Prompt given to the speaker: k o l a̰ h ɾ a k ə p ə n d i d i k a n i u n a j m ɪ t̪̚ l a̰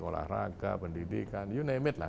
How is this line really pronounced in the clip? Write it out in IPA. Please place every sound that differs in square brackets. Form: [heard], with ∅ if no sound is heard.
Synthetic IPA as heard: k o l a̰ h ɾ a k [a] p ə n d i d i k a n [j] u n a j m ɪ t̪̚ l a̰